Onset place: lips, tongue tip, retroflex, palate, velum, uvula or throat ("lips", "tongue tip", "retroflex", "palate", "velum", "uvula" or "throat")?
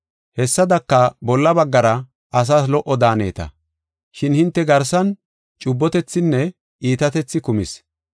throat